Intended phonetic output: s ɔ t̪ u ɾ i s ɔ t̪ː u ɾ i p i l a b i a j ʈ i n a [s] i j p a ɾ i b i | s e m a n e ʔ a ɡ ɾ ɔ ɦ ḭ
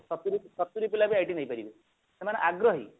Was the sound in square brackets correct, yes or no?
no